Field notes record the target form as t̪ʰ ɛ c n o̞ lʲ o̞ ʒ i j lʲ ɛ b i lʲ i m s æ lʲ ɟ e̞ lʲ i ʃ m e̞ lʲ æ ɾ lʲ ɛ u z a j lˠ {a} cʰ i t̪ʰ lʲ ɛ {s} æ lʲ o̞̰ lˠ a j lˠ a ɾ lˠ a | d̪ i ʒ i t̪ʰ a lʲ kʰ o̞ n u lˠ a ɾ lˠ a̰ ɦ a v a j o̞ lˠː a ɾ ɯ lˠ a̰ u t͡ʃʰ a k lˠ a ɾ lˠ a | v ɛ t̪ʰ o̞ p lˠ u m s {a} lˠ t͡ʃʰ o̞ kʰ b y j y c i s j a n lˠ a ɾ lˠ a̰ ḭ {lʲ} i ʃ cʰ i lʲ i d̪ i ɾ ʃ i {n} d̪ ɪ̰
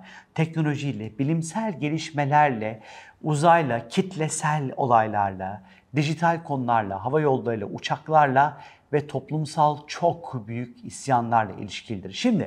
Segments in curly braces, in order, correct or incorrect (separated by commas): correct, correct, correct, correct, incorrect